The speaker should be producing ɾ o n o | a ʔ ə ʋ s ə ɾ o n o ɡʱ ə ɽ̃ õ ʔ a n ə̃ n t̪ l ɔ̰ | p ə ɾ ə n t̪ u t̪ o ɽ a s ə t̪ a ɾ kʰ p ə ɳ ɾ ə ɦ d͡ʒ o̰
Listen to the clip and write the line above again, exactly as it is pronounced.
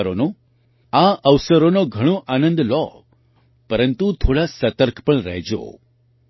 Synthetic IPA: ɾ o n o | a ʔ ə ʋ s ə ɾ o n o ɡʱ ə ɽ̃ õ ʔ a n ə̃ n d̪ l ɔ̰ | p ə ɾ ə n t̪ u t̪ʰ o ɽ a s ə t̪ ə ɾ kʰ p ə ɳ ɾ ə ɦ d͡ʒ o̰